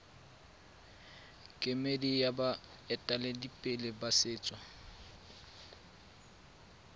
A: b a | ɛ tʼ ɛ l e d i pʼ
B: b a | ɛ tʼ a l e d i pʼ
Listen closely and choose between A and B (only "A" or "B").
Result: B